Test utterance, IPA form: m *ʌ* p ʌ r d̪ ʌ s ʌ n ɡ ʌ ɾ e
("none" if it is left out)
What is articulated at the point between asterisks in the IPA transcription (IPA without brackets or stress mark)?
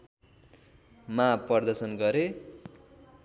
a